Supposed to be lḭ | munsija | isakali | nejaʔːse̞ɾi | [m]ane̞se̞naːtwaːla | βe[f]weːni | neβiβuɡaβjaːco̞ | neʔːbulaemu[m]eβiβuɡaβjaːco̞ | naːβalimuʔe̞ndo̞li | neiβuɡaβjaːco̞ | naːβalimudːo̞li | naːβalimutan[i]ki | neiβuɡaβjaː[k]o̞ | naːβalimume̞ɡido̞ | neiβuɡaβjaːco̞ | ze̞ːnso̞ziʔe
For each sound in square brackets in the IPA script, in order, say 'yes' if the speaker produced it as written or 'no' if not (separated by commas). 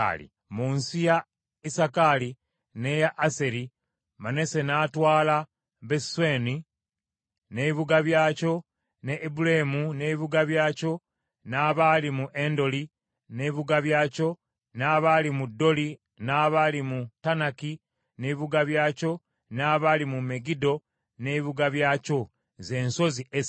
yes, no, no, no, no